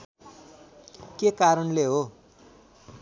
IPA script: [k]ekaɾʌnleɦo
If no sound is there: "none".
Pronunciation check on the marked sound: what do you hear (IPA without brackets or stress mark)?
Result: k